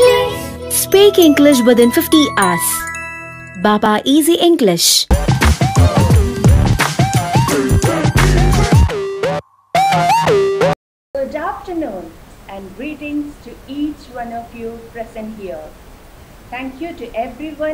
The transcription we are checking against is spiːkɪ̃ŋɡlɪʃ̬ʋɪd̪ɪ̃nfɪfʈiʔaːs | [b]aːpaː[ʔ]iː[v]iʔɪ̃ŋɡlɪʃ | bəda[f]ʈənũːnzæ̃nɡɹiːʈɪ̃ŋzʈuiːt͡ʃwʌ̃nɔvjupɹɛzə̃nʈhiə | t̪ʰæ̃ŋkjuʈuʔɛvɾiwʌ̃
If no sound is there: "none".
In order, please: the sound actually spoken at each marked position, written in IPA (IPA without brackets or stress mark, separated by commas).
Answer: b, ʔ, z, f